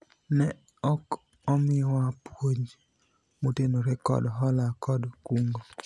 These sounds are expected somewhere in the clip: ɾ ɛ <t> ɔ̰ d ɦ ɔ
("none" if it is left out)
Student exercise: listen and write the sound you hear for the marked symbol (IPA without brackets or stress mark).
k